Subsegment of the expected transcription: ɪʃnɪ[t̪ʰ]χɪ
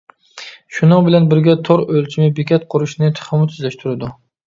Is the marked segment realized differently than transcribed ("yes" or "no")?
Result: no